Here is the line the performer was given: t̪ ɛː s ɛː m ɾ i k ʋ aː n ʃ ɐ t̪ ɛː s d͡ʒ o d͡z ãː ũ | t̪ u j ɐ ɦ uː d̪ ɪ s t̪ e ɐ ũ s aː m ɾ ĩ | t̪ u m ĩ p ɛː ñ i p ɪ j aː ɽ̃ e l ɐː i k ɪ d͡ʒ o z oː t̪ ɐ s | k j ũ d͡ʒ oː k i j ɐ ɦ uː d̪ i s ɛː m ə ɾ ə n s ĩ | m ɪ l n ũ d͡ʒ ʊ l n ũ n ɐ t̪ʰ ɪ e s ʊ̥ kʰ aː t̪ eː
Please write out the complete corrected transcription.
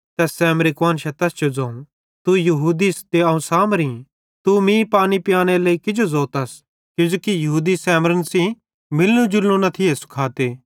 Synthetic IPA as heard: t̪ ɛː s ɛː m ɾ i k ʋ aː n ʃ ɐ t̪ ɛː s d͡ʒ o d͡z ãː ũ | t̪ u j ɐ ɦ uː d̪ i s t̪ e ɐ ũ s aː m ɾ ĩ | t̪ u m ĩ p aː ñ i p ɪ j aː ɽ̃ e l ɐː i k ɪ d͡ʒ o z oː t̪ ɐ s | k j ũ d͡ʒ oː k i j ɐ ɦ uː d̪ i s ɛː m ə ɾ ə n s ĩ | m ɪ l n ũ d͡ʒ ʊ l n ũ n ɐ t̪ʰ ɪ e s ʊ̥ kʰ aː t̪ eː